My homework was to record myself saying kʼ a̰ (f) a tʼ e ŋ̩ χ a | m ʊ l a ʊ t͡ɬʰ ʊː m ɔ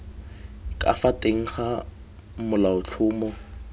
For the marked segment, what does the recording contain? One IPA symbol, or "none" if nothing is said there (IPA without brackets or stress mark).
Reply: f